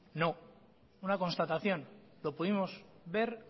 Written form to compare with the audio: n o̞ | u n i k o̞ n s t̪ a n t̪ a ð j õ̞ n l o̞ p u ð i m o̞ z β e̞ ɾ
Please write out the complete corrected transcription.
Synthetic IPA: n o̞ | u n a k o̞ n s t̪ a t̪ a θ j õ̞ n l o̞ p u ð i m o̞ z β e̞ ɾ